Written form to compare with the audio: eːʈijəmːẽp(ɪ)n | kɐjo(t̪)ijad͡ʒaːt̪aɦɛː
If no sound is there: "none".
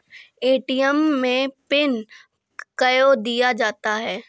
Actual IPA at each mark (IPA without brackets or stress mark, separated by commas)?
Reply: ɪ, d̪